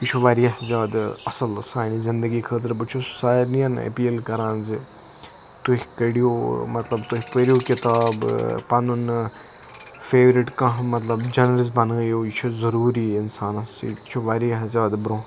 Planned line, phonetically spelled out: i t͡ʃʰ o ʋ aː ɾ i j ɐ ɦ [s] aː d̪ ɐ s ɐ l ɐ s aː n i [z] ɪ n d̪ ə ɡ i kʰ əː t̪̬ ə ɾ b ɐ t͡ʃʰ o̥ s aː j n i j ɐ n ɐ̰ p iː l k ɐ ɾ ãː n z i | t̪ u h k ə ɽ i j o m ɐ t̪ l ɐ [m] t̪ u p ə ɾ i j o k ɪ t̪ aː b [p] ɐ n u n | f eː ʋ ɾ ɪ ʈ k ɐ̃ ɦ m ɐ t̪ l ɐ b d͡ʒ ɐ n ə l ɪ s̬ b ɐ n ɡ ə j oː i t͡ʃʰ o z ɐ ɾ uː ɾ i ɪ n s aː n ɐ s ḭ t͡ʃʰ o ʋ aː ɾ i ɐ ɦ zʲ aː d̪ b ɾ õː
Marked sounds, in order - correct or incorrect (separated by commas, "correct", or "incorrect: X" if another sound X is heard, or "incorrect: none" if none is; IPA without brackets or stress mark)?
incorrect: z, correct, incorrect: b, correct